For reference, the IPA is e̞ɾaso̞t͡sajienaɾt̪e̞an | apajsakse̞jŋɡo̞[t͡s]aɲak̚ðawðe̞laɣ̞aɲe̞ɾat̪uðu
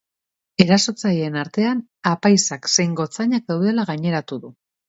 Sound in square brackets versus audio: correct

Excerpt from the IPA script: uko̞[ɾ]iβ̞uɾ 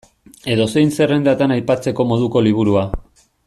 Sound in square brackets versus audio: incorrect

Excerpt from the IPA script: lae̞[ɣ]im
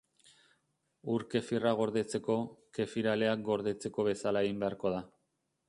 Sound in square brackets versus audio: correct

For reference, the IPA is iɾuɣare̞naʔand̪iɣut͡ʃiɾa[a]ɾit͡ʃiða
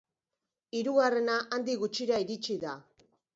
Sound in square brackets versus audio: incorrect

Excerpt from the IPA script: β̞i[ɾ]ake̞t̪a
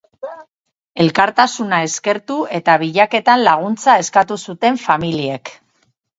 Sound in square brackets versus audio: incorrect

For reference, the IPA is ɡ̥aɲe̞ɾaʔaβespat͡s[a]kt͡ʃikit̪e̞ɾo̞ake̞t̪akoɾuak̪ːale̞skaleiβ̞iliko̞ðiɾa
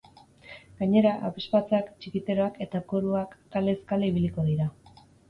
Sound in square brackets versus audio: correct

